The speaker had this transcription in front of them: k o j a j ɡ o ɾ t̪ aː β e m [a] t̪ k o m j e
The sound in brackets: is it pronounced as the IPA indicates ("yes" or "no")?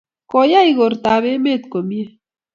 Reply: no